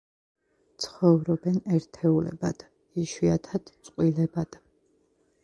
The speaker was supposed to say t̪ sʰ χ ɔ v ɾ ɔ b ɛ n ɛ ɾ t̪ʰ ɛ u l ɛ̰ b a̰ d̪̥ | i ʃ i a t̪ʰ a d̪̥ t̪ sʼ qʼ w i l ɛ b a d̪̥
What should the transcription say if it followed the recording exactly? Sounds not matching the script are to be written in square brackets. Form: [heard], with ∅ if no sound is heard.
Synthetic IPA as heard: t̪ sʰ χ ɔ v ɾ ɔ b ɛ n ɛ ɾ t̪ʰ ɛ u l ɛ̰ b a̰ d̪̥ | i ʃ i a t̪ʰ a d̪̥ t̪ sʼ qʼ w i l ɛ b a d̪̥